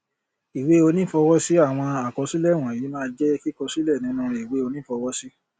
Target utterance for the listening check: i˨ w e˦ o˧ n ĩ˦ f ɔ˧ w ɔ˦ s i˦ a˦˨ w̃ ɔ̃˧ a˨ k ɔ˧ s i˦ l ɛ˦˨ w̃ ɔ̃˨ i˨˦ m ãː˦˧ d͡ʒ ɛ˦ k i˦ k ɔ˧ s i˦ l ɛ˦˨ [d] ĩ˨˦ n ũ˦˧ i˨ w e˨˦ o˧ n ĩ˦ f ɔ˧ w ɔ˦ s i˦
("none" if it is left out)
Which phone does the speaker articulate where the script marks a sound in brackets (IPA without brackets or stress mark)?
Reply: n